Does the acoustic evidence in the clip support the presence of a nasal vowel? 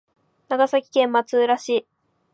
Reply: yes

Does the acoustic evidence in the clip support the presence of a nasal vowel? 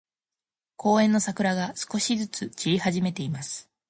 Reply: yes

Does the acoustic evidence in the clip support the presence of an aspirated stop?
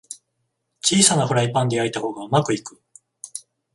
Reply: no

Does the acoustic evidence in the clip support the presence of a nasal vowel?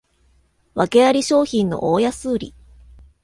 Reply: yes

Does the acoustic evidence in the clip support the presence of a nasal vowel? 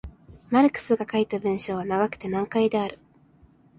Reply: yes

